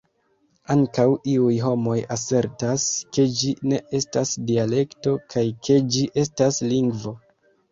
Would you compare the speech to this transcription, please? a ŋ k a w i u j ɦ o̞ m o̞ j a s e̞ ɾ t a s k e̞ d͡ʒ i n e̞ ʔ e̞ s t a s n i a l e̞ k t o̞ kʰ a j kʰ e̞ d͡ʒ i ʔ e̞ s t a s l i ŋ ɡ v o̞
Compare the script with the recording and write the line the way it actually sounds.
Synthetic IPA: a ŋ k a w i u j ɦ o̞ m o̞ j a s e̞ ɾ t a s k e̞ d͡ʒ i n e̞ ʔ e̞ s t a s d i a l e̞ k t o̞ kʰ a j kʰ e̞ d͡ʒ i ʔ e̞ s t a s l i ŋ ɡ v o̞